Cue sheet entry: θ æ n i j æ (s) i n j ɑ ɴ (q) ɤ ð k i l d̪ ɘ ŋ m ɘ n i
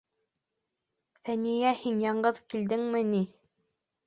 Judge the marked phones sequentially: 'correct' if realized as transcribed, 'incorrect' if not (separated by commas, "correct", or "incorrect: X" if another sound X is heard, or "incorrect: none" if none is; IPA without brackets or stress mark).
incorrect: h, incorrect: ɢ